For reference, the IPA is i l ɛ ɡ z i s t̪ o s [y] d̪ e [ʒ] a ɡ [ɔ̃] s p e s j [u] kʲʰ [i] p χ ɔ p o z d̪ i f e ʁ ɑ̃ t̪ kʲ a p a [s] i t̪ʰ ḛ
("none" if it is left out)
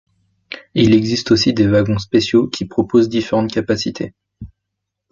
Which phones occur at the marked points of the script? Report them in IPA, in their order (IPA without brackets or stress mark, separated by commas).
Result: i, v, ɔ̃, o, i, s